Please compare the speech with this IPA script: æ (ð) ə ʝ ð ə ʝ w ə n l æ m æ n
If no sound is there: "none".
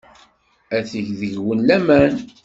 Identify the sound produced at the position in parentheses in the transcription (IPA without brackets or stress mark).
θ